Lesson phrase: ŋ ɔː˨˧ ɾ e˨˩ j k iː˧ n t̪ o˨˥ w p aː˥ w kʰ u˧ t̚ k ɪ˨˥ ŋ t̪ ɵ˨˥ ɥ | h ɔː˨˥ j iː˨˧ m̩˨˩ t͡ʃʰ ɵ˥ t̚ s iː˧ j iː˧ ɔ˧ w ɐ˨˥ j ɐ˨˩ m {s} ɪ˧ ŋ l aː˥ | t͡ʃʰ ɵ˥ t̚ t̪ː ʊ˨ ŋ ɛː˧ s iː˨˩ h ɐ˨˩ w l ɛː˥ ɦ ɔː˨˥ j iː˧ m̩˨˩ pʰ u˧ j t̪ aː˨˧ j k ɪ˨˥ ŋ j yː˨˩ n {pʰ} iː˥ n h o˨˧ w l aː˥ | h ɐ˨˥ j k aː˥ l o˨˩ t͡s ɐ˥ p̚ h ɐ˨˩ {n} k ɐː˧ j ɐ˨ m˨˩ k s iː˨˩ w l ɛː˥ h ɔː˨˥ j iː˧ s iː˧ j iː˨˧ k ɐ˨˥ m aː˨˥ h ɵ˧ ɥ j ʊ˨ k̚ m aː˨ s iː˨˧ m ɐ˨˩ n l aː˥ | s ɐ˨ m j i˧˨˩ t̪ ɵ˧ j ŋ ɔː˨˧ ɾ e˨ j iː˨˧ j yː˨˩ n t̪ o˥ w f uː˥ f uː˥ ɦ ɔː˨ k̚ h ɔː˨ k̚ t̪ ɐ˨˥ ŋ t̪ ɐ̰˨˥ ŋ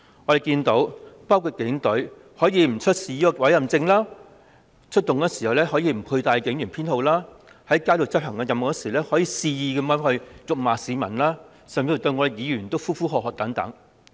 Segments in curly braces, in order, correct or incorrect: incorrect: t͡s, correct, incorrect: ŋ

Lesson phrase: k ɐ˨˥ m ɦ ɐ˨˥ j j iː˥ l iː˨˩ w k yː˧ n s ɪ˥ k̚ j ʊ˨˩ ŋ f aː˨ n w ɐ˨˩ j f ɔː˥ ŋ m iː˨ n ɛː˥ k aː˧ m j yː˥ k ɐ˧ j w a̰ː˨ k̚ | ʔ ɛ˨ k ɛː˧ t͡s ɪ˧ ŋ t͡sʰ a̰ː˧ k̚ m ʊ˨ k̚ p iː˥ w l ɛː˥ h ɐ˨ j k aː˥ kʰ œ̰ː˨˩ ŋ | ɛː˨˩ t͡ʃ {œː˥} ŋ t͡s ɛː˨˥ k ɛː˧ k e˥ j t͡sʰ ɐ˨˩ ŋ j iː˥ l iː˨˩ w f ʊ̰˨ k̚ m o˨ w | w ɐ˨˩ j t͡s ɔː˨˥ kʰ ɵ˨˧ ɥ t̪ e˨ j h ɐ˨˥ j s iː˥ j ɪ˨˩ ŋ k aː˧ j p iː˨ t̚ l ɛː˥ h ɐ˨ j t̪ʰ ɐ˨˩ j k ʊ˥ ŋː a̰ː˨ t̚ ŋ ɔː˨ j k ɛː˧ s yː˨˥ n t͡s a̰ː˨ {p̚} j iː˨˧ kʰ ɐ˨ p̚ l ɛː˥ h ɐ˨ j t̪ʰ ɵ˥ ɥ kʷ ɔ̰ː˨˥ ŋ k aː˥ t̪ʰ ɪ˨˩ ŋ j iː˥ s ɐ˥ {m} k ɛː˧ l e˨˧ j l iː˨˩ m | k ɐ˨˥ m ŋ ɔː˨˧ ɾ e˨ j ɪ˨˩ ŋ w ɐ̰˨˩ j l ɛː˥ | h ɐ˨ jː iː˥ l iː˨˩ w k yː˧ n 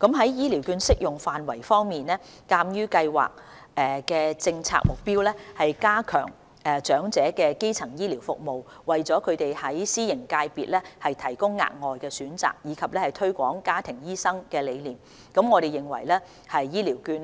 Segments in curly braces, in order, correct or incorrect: incorrect: œː˨˥, incorrect: k̚, incorrect: ŋ

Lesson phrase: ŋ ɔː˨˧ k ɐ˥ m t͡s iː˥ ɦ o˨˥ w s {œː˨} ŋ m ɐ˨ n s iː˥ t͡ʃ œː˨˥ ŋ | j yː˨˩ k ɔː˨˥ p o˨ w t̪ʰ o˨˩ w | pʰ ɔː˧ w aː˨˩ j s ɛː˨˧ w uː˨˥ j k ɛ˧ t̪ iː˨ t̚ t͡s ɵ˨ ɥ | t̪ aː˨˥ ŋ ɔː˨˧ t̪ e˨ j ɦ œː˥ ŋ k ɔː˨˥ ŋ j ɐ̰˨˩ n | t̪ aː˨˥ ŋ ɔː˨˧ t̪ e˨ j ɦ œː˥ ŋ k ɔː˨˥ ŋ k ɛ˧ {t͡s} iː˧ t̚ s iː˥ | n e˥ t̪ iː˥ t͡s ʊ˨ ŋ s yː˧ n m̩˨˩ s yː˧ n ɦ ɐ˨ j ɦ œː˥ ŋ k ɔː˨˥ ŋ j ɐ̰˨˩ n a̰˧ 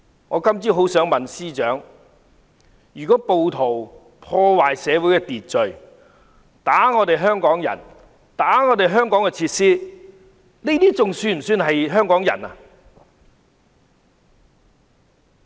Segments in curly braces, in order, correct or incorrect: incorrect: œː˨˥, incorrect: t͡sʰ

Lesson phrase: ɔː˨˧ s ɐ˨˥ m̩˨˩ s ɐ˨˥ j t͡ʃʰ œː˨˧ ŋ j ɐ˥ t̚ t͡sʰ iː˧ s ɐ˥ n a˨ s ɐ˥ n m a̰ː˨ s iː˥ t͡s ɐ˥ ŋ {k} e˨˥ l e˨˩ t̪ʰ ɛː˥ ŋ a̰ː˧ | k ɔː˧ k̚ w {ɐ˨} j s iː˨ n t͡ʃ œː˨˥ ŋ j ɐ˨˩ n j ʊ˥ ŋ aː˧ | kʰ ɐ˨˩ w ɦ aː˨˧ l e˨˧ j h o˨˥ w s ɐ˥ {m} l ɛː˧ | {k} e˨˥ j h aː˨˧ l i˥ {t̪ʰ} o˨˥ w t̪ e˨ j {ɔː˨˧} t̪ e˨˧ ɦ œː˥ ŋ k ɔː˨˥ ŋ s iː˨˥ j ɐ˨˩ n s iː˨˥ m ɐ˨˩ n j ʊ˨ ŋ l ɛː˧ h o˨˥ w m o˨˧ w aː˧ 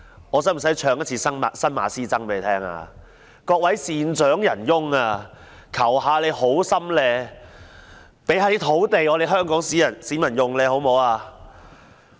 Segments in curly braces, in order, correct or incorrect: incorrect: p, incorrect: ɐ˨˥, correct, incorrect: p, correct, incorrect: ɔ˨˧

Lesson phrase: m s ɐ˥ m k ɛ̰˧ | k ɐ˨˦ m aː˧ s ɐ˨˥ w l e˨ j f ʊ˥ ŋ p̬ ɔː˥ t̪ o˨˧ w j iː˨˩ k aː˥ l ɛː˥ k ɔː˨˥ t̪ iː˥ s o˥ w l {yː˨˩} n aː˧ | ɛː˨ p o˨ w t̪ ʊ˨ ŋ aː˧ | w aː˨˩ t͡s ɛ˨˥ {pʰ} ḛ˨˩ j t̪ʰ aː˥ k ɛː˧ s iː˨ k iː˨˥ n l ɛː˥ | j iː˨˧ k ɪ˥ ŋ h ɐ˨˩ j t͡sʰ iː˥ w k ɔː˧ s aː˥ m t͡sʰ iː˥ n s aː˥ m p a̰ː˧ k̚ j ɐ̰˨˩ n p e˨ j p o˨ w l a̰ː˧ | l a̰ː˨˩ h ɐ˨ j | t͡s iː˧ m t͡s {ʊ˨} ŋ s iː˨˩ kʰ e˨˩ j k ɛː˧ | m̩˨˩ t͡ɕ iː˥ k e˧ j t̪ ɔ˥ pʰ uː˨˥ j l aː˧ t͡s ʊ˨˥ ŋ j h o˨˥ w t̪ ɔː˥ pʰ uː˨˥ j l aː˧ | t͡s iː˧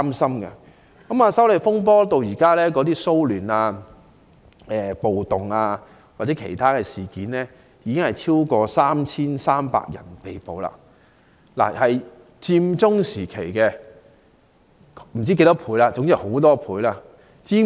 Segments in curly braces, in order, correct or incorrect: correct, incorrect: kʰ, incorrect: ʊ˥

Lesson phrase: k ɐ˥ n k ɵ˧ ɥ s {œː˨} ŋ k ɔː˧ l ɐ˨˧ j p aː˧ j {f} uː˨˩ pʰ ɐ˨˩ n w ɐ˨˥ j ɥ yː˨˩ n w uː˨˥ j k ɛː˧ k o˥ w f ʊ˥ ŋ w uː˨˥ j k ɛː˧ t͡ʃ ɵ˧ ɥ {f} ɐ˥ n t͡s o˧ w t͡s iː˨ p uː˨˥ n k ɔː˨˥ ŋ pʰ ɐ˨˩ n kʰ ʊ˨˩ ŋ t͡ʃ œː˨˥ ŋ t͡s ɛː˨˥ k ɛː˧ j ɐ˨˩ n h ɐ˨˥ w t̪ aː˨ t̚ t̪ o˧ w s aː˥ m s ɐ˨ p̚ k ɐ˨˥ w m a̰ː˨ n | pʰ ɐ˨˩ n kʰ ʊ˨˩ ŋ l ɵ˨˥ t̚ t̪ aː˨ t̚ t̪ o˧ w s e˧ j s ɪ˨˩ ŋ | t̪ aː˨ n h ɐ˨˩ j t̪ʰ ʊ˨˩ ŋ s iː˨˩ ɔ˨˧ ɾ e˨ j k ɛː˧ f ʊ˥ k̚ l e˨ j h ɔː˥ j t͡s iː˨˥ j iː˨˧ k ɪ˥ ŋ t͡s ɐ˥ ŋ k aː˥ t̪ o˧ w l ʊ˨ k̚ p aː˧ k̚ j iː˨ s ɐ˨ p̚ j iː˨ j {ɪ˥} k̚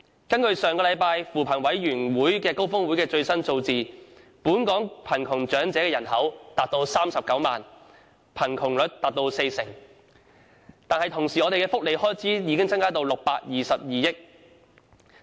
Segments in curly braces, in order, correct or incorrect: correct, correct, incorrect: s, correct

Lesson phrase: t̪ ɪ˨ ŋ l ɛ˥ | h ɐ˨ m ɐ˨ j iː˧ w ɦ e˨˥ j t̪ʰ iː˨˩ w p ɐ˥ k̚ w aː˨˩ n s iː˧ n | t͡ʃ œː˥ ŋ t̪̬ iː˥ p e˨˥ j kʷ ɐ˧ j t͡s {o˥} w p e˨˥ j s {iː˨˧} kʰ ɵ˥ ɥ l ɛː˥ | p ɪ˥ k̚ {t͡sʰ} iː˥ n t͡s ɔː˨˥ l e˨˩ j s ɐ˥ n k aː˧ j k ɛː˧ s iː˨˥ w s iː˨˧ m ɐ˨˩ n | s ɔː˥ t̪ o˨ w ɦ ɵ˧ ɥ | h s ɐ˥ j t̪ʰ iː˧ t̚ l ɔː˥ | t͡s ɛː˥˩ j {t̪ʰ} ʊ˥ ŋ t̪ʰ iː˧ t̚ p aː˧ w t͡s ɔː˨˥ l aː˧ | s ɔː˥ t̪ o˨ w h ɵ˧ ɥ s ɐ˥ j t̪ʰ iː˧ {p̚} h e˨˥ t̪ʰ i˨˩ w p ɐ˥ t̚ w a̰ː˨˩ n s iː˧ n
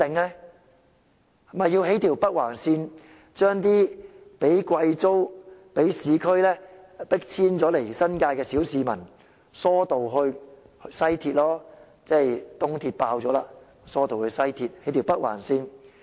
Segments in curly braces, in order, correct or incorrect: correct, correct, correct, incorrect: t̪, incorrect: t̚

